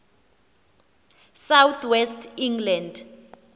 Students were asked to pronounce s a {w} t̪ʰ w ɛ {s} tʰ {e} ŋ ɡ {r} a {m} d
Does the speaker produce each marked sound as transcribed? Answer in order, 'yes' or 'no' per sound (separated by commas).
yes, yes, no, no, no